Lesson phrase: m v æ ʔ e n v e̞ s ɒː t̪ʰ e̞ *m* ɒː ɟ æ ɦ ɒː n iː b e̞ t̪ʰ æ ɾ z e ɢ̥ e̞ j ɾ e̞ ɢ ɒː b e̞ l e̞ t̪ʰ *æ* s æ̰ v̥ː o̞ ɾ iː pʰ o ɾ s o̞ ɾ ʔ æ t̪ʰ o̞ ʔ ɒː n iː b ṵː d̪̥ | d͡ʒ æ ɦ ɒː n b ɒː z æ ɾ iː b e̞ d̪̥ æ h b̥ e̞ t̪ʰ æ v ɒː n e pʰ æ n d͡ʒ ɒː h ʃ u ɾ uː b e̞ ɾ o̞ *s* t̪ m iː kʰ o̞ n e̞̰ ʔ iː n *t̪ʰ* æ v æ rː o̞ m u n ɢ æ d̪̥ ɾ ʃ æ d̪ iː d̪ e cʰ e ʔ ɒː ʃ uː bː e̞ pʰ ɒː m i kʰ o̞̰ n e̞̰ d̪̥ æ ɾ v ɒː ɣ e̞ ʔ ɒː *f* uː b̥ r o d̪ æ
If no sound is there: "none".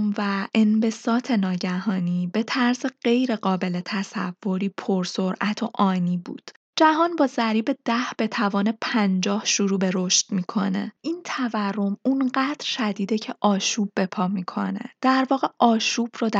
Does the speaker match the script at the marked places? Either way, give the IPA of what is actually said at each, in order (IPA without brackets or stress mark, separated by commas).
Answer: n, æ, ʃ, t̪ʰ, ʃ